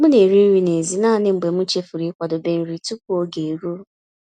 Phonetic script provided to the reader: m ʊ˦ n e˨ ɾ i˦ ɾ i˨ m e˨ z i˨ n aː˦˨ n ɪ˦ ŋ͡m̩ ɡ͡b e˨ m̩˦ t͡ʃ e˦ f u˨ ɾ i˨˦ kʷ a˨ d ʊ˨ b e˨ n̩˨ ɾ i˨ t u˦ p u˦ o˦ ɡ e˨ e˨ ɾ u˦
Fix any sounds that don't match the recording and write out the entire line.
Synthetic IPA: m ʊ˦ n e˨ ɾ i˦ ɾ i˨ n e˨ z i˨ n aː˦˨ n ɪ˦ ŋ͡m̩ ɡ͡b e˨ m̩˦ t͡ʃ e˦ f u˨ ɾ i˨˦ kʷ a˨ d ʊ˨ b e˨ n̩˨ ɾ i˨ t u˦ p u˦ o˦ ɡ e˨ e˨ ɾ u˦

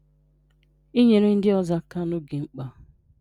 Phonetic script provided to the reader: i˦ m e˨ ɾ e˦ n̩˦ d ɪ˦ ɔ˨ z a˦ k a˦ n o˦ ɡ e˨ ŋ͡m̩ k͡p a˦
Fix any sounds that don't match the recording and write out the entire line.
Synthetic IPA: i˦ ɲ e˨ ɾ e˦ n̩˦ d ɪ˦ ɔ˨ z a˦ k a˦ n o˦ ɡ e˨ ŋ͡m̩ k͡p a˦

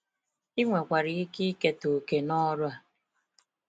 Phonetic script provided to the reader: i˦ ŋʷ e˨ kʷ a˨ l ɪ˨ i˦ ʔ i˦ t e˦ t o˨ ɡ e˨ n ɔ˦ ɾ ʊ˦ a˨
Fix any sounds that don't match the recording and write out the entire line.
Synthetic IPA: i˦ ŋʷ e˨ kʷ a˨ ɾ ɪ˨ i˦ k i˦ k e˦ t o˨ k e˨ n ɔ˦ ɾ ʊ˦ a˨

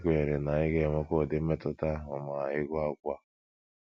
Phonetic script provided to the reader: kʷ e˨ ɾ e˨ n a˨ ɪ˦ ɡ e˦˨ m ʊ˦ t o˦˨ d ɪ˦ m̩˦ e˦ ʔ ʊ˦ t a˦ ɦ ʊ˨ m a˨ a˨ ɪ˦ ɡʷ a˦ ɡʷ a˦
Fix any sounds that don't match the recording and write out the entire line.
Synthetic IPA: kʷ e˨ ɾ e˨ n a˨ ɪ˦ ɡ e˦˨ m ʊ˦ k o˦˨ d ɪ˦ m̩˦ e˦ t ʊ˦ t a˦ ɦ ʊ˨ m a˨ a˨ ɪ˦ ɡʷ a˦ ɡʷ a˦

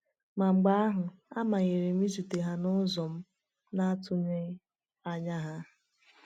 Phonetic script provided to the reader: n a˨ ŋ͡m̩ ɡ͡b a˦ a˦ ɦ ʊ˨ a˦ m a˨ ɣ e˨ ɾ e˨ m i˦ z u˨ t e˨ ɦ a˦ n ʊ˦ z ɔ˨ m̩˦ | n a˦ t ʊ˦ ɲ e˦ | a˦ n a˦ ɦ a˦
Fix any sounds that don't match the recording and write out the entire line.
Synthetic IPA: m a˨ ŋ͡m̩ ɡ͡b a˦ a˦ ɦ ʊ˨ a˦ m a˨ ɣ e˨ ɾ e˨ m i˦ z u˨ t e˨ ɦ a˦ n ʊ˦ z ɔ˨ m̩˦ | n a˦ t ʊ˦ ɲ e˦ | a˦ ɲ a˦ ɦ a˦

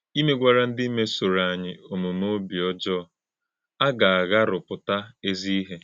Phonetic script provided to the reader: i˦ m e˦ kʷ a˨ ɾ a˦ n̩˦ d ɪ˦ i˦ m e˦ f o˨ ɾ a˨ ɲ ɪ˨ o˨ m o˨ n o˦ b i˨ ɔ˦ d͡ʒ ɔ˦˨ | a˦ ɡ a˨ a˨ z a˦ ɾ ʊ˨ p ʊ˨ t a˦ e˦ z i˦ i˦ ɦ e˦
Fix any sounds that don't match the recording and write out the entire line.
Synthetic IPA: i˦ m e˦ ɡʷ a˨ ɾ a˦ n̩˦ d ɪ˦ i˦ m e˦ s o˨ ɾ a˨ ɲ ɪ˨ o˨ m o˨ m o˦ b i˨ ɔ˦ d͡ʒ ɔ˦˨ | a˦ ɡ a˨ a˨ ɣ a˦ ɾ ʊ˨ p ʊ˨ t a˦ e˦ z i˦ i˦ ɦ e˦

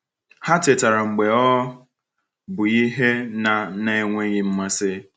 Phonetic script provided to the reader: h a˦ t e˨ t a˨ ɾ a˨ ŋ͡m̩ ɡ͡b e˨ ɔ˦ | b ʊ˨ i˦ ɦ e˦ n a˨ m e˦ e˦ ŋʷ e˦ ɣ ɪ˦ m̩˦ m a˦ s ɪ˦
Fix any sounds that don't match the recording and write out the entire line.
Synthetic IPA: h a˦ t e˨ t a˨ ɾ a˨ ŋ͡m̩ ɡ͡b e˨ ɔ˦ | b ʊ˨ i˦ ɦ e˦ n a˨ n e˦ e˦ ŋʷ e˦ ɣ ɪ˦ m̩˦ m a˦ s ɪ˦

